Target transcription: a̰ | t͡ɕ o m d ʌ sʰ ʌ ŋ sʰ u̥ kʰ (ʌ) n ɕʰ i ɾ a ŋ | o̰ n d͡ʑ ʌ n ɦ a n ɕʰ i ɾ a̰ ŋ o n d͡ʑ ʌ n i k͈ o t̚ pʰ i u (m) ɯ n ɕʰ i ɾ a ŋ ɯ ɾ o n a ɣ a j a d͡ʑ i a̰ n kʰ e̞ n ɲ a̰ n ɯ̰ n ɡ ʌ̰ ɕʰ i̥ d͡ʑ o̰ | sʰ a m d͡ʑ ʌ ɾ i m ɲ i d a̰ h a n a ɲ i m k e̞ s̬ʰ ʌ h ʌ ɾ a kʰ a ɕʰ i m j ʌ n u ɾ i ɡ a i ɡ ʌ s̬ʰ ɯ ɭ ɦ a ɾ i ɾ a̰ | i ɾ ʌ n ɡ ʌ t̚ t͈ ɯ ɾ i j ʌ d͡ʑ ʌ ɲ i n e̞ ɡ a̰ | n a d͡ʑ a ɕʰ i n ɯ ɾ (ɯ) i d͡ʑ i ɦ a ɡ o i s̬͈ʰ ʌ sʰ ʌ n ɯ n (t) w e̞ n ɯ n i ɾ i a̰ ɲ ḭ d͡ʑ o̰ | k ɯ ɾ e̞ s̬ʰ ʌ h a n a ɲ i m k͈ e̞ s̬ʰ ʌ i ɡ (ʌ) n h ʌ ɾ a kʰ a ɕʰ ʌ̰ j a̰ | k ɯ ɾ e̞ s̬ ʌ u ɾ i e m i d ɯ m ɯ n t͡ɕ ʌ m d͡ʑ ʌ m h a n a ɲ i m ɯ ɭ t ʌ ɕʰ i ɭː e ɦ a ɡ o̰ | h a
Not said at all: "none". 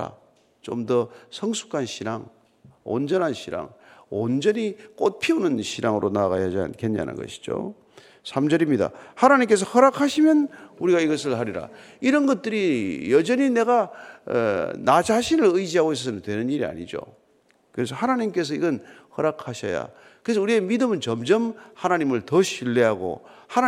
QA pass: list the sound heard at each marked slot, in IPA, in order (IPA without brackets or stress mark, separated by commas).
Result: a, n, ɯ, t, ʌ